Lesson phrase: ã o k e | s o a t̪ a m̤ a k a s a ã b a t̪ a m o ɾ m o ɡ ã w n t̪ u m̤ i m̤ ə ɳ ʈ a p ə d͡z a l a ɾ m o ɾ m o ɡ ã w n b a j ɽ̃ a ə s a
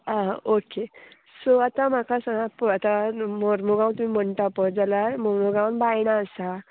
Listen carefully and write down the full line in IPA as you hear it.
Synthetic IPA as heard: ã o k e | s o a t̪ a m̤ a k a s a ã p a t̪ a m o ɾ m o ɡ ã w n t̪ u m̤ i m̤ ə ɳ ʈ a p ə d͡z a l a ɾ m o ɾ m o ɡ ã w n b a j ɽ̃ a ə s a